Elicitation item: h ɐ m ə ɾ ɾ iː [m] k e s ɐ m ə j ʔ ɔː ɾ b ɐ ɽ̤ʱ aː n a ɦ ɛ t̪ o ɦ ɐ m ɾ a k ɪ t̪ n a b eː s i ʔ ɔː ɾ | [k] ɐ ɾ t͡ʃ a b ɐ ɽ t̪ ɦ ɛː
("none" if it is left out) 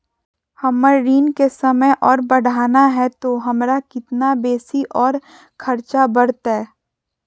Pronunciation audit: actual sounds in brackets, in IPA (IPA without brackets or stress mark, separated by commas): n, kʰ